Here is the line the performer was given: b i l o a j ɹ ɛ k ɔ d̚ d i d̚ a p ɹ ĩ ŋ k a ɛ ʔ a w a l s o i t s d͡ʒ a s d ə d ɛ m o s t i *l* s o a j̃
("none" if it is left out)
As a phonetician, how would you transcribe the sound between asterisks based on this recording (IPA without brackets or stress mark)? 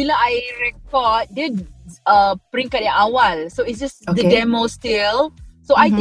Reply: l